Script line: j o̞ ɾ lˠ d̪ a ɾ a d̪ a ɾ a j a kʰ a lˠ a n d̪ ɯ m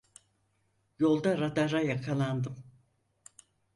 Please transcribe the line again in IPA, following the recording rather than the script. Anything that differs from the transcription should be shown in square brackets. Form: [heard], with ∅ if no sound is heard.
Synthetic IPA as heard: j o̞ [∅] lˠ d̪ a ɾ a d̪ a ɾ a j a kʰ a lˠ a n d̪ ɯ m